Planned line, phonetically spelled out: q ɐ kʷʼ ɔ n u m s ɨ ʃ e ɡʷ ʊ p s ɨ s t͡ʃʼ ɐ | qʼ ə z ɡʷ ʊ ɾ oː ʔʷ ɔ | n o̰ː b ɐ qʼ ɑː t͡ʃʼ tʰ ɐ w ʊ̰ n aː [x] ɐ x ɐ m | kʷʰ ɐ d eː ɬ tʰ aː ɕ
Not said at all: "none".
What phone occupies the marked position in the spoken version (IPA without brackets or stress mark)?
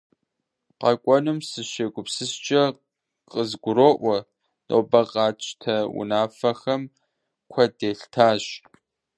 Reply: f